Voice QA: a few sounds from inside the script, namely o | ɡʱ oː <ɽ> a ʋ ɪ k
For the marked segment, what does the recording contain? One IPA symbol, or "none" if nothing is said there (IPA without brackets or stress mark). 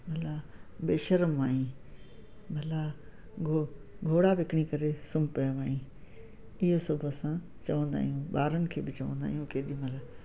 ɽ